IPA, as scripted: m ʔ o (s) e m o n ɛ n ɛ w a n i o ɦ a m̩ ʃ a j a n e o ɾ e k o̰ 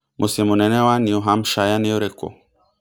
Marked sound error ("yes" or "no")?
no